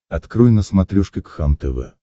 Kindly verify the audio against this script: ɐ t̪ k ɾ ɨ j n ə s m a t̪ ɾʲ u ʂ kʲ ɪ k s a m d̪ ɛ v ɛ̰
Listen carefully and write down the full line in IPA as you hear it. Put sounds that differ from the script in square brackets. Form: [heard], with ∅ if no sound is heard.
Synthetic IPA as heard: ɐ t̪ k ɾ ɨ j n ə s m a t̪ ɾʲ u ʂ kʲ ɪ k [x] a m [t̪] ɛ v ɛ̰